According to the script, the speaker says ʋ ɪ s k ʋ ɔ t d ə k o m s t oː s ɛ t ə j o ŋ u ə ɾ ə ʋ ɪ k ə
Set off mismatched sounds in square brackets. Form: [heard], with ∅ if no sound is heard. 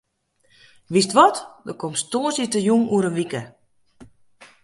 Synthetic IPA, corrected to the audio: ʋ [i] s [t] ʋ ɔ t d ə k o m s t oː s [i] t ə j [u] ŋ u ə ɾ ə ʋ [i] k ə